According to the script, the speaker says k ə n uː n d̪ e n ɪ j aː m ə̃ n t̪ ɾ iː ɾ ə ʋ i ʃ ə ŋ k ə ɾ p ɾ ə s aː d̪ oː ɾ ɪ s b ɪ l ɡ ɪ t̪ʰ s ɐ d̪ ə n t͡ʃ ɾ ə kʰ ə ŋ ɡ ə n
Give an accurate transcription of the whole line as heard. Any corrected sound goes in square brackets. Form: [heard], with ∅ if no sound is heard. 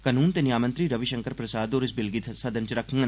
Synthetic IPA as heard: k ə n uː n [t̪] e n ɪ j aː m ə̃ n t̪ ɾ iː ɾ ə ʋ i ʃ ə ŋ k ə ɾ p ɾ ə s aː d̪ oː ɾ ɪ s b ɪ l ɡ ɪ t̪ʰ s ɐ d̪ ə n t͡ʃ ɾ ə kʰ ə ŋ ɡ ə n

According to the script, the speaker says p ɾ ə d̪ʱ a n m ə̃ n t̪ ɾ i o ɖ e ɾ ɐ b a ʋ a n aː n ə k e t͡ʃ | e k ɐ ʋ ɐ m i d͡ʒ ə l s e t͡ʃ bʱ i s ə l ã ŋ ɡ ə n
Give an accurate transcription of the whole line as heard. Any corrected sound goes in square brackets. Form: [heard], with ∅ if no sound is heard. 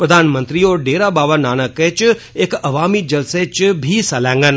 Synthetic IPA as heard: p ɾ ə d̪ʱ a n m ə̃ n t̪ ɾ i o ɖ e ɾ [a] b a ʋ a n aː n ə k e t͡ʃ | e k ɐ ʋ [a] m i d͡ʒ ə l s e t͡ʃ bʱ i s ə l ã ŋ ɡ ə n

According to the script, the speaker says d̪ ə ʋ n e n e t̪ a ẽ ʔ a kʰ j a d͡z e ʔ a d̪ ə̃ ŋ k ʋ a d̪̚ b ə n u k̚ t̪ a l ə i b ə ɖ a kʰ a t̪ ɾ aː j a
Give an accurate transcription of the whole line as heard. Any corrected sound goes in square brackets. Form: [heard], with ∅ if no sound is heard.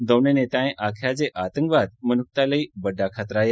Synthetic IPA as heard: d̪ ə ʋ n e n e t̪ a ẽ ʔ a kʰ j a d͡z e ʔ a [t̪] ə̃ ŋ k ʋ a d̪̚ [m] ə n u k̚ t̪ a l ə i b ə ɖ a kʰ a t̪ ɾ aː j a

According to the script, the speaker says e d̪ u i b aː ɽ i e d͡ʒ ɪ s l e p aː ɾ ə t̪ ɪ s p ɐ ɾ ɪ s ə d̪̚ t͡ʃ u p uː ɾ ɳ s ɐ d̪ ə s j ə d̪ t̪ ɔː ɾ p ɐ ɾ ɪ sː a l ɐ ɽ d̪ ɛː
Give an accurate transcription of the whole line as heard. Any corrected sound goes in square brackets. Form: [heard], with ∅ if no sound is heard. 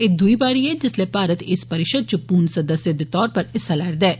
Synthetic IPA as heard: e d̪ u i b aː [ɾ] i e d͡ʒ ɪ s l e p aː ɾ ə t̪ ɪ s p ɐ ɾ ɪ [ʃ] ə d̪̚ t͡ʃ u p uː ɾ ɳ s ɐ d̪ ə s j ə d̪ t̪ ɔː ɾ p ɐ ɾ ɪ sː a l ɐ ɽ d̪ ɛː

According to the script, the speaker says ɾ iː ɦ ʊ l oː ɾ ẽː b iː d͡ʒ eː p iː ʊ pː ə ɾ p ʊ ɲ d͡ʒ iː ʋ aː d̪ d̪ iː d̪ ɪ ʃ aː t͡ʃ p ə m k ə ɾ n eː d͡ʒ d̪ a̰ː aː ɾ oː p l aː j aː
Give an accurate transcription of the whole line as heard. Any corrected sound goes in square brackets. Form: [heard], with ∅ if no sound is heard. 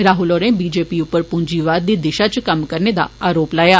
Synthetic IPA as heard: ɾ [aː] ɦ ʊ l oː ɾ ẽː b iː d͡ʒ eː p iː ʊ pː ə ɾ p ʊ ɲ d͡ʒ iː ʋ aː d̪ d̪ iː d̪ ɪ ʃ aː t͡ʃ [k] ə m k ə ɾ n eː [∅] d̪ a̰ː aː ɾ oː p l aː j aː

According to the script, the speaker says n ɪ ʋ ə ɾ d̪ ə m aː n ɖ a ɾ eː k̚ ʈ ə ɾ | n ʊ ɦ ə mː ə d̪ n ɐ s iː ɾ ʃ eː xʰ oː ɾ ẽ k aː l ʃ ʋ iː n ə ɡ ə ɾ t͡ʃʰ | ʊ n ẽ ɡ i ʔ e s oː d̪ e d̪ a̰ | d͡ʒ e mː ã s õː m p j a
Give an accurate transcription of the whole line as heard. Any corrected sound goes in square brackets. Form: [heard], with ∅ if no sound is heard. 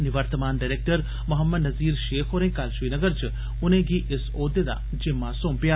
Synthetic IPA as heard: n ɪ ʋ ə ɾ [t̪] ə m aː n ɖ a ɾ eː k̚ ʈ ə ɾ | [m] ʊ ɦ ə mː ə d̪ n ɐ [z] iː ɾ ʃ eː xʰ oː ɾ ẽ k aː l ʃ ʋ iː n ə ɡ ə ɾ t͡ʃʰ | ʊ n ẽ ɡ i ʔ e s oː d̪ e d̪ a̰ | d͡ʒ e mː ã s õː m p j a

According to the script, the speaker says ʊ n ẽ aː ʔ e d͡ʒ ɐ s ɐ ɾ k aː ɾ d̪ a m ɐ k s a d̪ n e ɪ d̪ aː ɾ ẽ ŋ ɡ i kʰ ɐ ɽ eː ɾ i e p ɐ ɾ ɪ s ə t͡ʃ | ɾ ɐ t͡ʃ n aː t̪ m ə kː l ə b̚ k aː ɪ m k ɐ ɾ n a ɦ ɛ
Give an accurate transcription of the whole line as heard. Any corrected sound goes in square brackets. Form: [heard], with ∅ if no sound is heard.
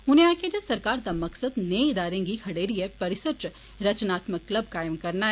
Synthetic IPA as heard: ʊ n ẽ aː [k] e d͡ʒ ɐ s ɐ ɾ k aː ɾ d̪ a m ɐ k s [ə] d̪ n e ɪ d̪ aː ɾ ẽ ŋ ɡ i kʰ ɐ ɽ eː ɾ i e p ɐ ɾ ɪ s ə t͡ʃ | ɾ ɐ t͡ʃ n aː t̪ m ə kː l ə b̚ k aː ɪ m k ɐ ɾ n a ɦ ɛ

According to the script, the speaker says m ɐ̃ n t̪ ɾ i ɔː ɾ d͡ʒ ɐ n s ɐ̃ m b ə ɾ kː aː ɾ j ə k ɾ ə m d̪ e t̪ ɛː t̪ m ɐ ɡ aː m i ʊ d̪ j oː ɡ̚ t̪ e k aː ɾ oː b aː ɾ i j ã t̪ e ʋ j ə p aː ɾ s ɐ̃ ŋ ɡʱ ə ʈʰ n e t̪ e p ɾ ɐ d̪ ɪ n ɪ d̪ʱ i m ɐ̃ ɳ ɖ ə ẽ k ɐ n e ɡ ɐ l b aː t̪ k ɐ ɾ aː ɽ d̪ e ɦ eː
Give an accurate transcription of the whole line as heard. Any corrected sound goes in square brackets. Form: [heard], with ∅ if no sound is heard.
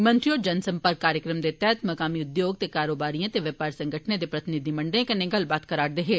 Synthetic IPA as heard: m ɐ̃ n t̪ ɾ i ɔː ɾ d͡ʒ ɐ n s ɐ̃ m [p] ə ɾ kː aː ɾ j ə k ɾ ə m d̪ e t̪ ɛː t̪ m ɐ [k] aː m i ʊ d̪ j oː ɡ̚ t̪ e k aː ɾ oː b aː ɾ i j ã t̪ e ʋ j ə p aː ɾ s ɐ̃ ŋ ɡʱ ə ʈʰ n e [d̪] e p ɾ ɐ [t̪] ɪ n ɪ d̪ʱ i m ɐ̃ ɳ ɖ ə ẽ k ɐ n e ɡ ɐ l b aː t̪ k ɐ ɾ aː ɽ d̪ e ɦ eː

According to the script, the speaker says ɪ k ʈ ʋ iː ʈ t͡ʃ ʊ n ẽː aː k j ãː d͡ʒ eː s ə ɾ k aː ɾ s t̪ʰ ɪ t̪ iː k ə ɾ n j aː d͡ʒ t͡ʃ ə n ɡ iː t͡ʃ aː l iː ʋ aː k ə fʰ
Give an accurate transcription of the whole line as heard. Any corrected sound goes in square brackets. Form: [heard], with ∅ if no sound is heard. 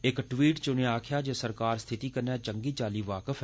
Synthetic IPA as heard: ɪ k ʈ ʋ iː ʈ t͡ʃ ʊ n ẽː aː [kʰ] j [aː] d͡ʒ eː s ə ɾ k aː ɾ s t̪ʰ ɪ t̪ iː k ə ɾ n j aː [∅] t͡ʃ ə [ŋ] ɡ iː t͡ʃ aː l iː ʋ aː k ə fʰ

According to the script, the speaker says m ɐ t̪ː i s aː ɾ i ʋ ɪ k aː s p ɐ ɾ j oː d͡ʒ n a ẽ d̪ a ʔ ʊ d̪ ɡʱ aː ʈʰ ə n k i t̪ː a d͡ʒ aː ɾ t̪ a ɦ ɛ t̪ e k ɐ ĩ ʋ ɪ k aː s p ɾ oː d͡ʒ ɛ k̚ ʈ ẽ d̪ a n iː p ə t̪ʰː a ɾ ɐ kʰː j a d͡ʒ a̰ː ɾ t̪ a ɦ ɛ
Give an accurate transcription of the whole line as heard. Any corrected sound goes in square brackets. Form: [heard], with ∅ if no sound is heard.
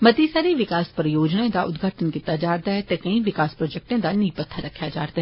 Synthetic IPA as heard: m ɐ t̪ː i s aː ɾ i ʋ ɪ k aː s p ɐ ɾ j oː d͡ʒ n a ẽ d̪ a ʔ ʊ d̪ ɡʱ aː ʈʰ ə n k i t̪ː a d͡ʒ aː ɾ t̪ a ɦ ɛ t̪ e k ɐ ĩ ʋ ɪ k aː s p ɾ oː d͡ʒ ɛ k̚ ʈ ẽ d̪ a n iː p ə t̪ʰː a ɾ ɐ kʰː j a d͡ʒ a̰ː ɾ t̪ a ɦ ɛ

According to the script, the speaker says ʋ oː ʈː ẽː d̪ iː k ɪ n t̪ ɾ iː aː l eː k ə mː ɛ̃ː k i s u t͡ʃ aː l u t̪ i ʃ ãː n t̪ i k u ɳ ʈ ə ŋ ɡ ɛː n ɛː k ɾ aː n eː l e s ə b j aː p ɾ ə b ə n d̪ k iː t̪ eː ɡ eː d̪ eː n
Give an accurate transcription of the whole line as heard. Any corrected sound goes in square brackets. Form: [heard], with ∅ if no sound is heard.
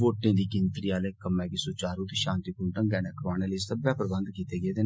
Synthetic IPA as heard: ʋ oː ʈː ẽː d̪ iː k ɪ n t̪ ɾ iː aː l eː k ə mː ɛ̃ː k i s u t͡ʃ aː [ɾ] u t̪ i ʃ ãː n t̪ i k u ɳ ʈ ə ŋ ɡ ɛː n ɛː k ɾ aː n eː l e s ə b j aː p ɾ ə b ə n d̪ k iː t̪ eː ɡ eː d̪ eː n

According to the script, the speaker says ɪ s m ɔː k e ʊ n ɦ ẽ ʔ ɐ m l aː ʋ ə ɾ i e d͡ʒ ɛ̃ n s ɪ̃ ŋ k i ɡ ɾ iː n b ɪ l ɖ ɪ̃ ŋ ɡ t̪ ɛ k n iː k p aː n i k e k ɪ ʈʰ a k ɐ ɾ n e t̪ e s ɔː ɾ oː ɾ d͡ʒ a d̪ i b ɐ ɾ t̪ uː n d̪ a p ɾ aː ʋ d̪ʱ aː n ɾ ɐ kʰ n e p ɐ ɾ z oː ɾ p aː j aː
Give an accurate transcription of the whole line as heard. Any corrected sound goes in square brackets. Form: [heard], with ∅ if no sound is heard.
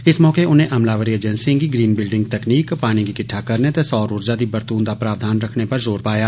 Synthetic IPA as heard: ɪ s m ɔː k e ʊ n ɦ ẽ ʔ ɐ m l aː ʋ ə ɾ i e d͡ʒ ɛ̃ n s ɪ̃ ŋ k i ɡ ɾ iː n b ɪ l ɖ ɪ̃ ŋ ɡ t̪ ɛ k n iː k p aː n i k [i] k ɪ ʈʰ a k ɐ ɾ n e t̪ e s ɔː ɾ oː ɾ d͡ʒ a d̪ i b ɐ ɾ t̪ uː n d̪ a p ɾ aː ʋ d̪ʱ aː n ɾ ɐ kʰ n e p ɐ ɾ z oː ɾ p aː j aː

